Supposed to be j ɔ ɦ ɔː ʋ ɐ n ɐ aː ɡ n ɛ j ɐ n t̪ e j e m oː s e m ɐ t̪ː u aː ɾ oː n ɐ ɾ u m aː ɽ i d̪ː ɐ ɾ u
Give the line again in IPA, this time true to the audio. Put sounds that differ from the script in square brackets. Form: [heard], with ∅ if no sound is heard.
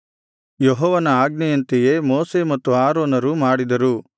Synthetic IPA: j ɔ ɦ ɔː ʋ ɐ n ɐ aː ɡ n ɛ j ɐ n t̪ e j e m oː s e m ɐ t̪ː u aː ɾ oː n ɐ ɾ u m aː ɽ i [d̪] ɐ ɾ u

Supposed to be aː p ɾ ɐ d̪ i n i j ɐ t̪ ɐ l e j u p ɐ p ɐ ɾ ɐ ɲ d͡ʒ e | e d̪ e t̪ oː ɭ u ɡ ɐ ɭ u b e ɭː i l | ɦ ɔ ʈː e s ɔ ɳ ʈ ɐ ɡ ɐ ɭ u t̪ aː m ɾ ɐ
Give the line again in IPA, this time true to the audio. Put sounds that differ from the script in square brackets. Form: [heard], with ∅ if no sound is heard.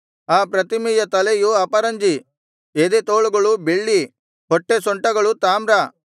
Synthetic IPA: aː p ɾ ɐ [t̪] i [m] i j ɐ t̪ ɐ l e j u [∅] ɐ p ɐ ɾ ɐ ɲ d͡ʒ [i] | e d̪ e t̪ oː ɭ u ɡ ɐ ɭ u b e ɭː i [∅] | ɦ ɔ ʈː e s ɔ ɳ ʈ ɐ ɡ ɐ ɭ u t̪ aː m ɾ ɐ

